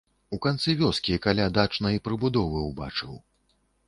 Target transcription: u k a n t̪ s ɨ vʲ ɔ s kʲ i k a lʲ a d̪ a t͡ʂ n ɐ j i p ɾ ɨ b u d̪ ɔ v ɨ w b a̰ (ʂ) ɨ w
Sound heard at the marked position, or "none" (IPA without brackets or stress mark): t͡ʂ